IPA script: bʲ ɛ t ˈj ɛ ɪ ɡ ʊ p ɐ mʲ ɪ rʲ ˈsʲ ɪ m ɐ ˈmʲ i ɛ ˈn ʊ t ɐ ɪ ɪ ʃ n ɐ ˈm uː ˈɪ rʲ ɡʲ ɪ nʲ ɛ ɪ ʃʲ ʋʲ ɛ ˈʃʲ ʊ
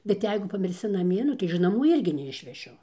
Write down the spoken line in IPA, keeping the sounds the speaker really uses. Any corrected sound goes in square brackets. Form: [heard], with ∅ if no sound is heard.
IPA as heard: bʲ ɛ t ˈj ɛ ɪ ɡ ʊ p ɐ mʲ ɪ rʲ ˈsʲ ɪ [n] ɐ ˈmʲ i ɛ ˈn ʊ t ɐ ɪ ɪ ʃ n ɐ ˈm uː ˈɪ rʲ ɡʲ ɪ nʲ ɛ ɪ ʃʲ ʋʲ ɛ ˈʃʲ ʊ